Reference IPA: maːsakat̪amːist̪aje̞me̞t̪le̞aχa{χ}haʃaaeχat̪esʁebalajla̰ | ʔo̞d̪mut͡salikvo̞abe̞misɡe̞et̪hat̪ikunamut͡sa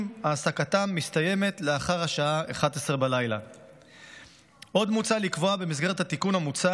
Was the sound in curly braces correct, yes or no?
no